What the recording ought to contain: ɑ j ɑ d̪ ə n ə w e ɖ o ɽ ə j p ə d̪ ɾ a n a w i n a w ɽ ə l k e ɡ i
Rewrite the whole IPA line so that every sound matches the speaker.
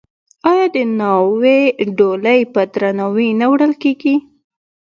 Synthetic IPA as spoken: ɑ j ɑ d̪ ə n ɑ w e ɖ o l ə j p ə d̪ ɾ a n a w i n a w ɽ ə l k e ɡ i